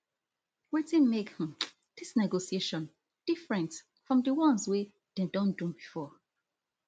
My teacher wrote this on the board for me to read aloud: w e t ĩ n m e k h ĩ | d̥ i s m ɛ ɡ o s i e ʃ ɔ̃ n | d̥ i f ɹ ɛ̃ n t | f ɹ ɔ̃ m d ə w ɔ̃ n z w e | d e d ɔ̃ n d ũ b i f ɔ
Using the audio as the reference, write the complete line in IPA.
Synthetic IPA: w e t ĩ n m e k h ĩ | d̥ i s n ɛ ɡ o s i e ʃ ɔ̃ n | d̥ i f ɹ ɛ̃ n t | f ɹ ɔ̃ m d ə w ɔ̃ n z w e | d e d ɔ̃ n d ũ b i f ɔ